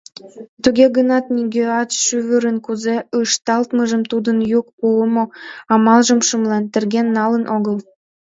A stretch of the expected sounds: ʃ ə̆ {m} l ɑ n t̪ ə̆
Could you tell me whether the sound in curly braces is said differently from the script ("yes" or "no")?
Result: no